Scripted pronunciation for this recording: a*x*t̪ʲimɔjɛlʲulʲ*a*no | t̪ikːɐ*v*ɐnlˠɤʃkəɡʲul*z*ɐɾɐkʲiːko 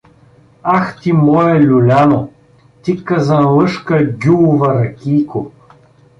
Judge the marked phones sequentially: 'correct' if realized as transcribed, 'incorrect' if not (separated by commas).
correct, correct, incorrect, incorrect